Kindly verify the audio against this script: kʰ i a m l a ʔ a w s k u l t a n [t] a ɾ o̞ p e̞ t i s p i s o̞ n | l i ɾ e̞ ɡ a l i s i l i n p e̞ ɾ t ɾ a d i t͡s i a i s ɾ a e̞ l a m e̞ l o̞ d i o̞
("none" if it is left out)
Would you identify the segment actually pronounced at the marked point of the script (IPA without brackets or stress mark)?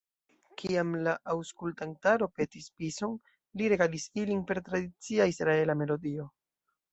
t